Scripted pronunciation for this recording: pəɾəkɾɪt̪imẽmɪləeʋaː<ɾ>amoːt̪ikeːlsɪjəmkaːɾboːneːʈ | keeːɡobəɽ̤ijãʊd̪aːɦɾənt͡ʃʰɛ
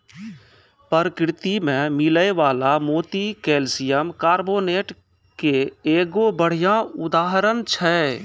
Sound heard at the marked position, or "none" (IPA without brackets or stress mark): l